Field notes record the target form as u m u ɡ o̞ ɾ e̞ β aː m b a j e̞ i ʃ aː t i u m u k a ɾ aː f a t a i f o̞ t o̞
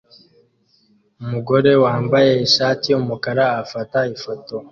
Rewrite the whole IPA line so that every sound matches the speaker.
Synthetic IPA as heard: u m u ɡ o̞ ɾ e̞ w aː m b a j e̞ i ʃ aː t i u m u k a ɾ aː f a t a i f o̞ t o̞

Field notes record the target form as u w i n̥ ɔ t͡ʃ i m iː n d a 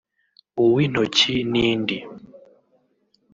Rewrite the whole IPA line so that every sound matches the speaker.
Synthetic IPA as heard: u w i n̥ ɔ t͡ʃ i n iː n d i

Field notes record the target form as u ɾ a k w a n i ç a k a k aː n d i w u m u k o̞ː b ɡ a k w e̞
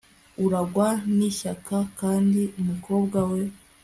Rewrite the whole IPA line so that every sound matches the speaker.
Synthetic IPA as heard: u ɾ a ɡ w a n i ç a k a k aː n d i u m u k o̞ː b ɡ a w e̞

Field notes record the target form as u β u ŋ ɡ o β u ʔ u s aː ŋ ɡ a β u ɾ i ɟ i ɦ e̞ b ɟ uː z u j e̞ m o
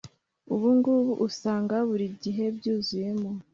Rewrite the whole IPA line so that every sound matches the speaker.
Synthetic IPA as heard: u β u ŋ ɡ u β u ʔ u s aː ŋ ɡ a β u ɾ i ɟ i ɦ e̞ b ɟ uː z u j e̞ m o

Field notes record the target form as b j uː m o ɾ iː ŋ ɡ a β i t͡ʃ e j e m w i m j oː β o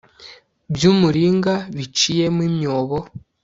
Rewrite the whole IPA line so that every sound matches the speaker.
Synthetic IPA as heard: b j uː m u ɾ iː ŋ ɡ a β i t͡ʃ i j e m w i m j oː β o

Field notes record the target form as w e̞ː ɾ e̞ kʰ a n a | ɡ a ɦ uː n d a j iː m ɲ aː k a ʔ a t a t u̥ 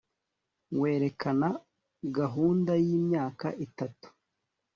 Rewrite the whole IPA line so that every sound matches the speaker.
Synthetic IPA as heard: w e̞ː ɾ e̞ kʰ a n a | ɡ a ɦ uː n d a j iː m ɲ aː k a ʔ i t a t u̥

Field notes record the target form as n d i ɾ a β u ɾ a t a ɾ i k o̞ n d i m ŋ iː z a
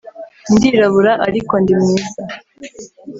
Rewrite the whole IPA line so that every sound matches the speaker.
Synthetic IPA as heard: n d i ɾ a β u ɾ a ʔ a ɾ i k o̞ n d i m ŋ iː z a

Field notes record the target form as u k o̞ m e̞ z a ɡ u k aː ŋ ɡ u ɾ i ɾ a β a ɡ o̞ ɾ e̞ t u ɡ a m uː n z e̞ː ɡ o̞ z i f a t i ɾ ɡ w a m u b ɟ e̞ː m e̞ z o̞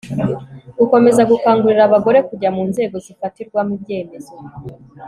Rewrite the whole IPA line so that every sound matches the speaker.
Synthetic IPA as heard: u k o̞ m e̞ z a ɡ u k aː ŋ ɡ u ɾ i ɾ a β a ɡ o̞ ɾ e̞ k u ɟ a m uː n z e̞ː ɡ o̞ z i f a t i ɾ ɡ w a m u b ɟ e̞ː m e̞ z o̞

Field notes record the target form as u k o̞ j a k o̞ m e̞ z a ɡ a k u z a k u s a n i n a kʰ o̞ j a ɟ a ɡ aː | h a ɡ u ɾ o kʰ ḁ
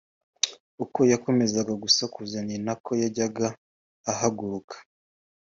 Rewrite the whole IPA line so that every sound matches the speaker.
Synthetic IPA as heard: u k o̞ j a k o̞ m e̞ z a ɡ a ɡ u s a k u z a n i n a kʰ o̞ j a ɟ a ɡ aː | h a ɡ u ɾ u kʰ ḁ

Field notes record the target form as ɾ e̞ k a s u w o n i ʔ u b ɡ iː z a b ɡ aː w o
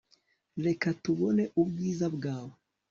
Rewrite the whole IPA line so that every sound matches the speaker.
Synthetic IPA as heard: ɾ e̞ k a t u β o n e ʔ u b ɡ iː z a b ɡ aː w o

